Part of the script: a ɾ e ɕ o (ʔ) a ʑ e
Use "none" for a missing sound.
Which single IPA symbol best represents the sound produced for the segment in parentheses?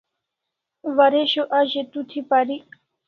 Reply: ʔ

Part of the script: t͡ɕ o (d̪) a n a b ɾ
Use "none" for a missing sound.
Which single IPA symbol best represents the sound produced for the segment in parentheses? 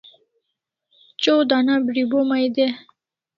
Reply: d̪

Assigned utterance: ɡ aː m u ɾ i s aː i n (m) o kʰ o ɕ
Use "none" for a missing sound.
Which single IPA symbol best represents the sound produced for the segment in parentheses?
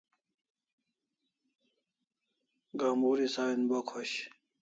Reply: b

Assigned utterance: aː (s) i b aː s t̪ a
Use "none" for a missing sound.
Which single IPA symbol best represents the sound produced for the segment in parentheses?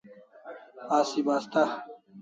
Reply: s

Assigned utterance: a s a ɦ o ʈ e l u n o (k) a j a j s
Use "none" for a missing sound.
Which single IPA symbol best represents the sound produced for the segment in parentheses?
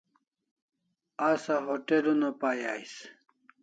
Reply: p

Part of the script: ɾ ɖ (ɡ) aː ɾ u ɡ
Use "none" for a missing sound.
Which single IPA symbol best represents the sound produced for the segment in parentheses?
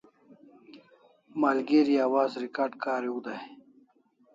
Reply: k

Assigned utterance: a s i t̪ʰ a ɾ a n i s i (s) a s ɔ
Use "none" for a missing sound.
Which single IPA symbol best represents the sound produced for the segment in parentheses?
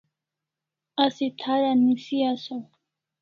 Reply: none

